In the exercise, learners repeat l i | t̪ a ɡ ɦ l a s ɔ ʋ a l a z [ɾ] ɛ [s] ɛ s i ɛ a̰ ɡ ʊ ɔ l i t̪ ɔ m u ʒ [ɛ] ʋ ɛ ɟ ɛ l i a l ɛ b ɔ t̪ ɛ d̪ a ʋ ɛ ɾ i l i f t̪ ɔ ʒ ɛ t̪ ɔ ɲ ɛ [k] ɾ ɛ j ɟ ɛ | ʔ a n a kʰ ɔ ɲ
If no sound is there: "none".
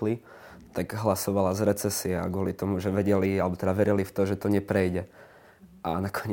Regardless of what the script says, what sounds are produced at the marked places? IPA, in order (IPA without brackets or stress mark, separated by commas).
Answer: ɾ, t͡s, ɛ, p